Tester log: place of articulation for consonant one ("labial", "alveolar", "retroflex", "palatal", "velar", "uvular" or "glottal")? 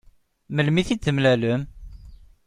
labial